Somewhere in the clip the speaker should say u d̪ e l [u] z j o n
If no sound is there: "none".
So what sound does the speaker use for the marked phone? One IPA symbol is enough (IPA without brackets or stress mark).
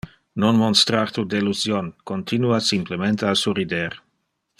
u